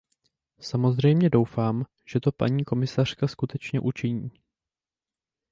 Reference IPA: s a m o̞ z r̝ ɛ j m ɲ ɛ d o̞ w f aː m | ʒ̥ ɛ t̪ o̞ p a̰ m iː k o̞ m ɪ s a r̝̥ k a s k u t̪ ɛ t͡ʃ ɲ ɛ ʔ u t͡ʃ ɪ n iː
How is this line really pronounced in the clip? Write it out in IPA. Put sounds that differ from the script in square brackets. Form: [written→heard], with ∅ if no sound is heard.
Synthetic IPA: s a m o̞ z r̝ ɛ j m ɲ ɛ d o̞ w f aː m | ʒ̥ ɛ t̪ o̞ p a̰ [m→ɲ] iː k o̞ m ɪ s a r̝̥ k a s k u t̪ ɛ t͡ʃ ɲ ɛ ʔ u t͡ʃ ɪ [n→ɲ] iː